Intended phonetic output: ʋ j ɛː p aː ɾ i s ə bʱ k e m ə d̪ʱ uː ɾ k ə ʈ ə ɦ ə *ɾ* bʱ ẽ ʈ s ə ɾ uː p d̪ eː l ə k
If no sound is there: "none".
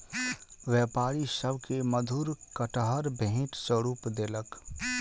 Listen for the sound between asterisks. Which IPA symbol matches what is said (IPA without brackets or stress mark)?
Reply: ɾ